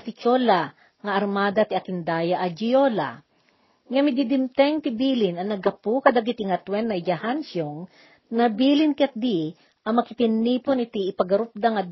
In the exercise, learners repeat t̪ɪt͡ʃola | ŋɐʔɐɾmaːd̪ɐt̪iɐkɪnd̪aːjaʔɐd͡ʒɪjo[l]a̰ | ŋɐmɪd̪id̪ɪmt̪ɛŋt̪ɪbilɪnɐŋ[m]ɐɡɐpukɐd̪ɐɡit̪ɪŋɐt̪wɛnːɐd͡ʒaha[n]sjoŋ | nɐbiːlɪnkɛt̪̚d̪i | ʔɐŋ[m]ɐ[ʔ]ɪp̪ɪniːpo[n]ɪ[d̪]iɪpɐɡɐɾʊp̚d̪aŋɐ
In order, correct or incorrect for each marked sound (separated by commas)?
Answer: correct, incorrect, correct, correct, incorrect, correct, incorrect